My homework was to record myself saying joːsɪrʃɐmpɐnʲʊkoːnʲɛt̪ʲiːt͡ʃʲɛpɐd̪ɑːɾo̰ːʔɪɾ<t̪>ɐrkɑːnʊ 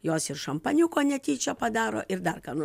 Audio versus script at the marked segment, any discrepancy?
yes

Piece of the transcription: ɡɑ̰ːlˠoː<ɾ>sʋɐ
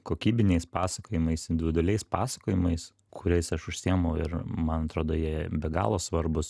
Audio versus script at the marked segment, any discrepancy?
yes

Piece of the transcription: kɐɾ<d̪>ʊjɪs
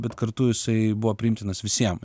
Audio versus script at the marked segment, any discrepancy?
yes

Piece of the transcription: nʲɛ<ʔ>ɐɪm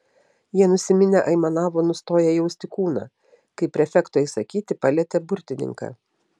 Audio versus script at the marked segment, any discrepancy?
no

